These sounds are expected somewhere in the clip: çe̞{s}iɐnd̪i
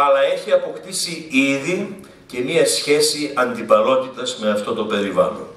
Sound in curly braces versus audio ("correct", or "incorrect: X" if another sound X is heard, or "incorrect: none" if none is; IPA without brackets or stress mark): correct